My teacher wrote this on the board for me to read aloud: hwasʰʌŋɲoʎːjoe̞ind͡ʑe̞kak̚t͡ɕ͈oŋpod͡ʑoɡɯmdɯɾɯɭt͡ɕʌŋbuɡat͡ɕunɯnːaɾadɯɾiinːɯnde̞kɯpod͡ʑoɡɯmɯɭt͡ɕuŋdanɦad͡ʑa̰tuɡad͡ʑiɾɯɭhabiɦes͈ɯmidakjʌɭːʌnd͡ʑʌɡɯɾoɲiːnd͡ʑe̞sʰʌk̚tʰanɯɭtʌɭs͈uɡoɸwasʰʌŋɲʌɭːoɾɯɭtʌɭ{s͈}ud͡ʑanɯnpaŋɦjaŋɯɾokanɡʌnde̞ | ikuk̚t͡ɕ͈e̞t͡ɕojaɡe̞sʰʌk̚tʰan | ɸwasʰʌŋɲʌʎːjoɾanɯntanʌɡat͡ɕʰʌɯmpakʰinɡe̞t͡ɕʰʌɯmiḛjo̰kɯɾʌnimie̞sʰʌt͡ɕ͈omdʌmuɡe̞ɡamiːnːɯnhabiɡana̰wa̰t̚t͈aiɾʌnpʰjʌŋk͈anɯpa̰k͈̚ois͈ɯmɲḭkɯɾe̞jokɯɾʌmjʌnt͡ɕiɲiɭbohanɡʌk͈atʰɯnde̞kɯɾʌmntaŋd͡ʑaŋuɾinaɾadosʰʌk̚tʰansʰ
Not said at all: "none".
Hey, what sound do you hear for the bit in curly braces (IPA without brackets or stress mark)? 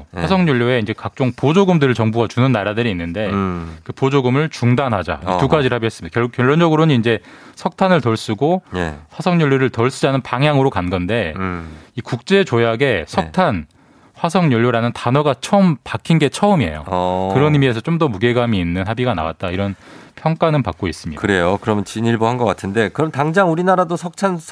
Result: s͈